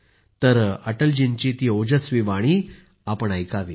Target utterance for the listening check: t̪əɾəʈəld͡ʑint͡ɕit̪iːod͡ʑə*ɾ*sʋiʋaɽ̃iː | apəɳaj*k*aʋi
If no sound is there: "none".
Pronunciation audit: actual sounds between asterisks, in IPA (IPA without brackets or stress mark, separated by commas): none, k